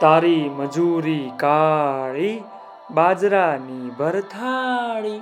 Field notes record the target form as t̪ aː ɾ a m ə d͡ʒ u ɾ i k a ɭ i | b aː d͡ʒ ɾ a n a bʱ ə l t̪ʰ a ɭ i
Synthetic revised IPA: t̪ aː ɾ i m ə d͡ʒ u ɾ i k a ɭ i | b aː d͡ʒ ɾ a n i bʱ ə ɾ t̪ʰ a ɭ i